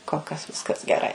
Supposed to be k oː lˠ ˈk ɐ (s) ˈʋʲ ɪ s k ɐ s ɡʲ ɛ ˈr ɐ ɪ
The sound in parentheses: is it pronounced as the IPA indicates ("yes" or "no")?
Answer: yes